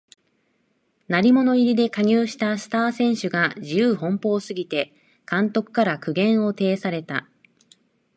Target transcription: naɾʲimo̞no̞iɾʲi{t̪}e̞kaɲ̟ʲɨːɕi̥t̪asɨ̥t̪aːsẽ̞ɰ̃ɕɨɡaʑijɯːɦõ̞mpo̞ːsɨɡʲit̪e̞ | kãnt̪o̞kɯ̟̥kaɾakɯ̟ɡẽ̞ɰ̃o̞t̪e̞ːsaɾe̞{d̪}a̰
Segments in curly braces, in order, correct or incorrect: incorrect: d̪, incorrect: t̪

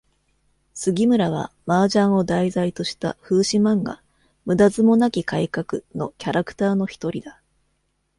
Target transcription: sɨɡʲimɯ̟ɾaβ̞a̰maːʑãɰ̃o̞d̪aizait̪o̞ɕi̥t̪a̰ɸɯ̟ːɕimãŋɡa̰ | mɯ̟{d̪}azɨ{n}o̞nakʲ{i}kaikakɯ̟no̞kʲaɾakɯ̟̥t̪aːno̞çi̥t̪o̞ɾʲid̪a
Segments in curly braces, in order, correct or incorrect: correct, incorrect: m, correct

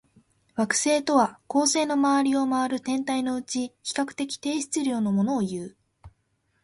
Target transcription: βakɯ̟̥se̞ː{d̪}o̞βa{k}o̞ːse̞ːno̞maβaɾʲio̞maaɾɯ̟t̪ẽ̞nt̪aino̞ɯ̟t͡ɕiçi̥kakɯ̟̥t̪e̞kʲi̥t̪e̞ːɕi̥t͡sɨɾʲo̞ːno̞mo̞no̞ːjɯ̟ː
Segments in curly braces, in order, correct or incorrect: incorrect: t̪, correct

